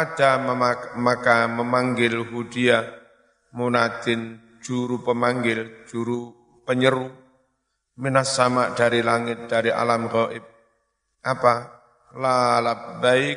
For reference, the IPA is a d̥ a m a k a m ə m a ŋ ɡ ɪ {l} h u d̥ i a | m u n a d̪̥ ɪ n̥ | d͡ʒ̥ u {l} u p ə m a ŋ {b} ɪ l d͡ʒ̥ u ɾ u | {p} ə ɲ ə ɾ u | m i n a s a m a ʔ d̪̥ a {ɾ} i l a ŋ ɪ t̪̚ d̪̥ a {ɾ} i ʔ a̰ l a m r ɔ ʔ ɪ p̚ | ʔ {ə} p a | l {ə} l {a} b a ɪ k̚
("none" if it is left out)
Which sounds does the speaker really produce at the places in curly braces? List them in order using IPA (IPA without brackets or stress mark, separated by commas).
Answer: l, ɾ, ɡ, p, ɾ, ɾ, a, a, a